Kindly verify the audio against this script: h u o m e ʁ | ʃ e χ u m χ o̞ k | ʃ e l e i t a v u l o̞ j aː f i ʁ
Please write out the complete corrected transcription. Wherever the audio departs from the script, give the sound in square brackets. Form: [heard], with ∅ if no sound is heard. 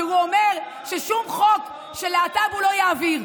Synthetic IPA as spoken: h u o m e ʁ | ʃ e [ʃ] u m χ o̞ k | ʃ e l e [a] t a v u l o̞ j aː [v] i ʁ